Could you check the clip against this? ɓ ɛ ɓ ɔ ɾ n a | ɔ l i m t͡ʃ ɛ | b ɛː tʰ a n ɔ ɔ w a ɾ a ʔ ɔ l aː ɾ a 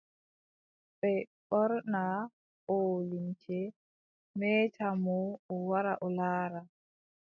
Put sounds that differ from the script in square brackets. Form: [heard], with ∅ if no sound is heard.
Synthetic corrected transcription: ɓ ɛ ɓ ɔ ɾ n a | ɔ l i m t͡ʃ ɛ | [m] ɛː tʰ a [m] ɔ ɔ w a ɾ a ʔ ɔ l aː ɾ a